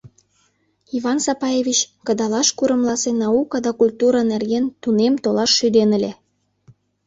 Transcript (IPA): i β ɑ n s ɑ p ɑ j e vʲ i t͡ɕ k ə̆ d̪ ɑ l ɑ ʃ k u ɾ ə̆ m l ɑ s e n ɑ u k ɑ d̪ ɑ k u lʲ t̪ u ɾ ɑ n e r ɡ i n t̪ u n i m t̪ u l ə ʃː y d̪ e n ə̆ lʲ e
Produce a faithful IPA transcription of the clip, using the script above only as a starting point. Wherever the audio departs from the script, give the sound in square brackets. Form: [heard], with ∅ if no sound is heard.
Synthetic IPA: i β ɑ n s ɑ p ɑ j e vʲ i t͡ɕ k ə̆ d̪ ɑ l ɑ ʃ k u ɾ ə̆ m l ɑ s e n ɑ u k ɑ d̪ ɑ k u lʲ t̪ u ɾ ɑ n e r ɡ [e] n t̪ u n [e] m t̪ [o] l [ɑ] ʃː y d̪ e n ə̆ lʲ e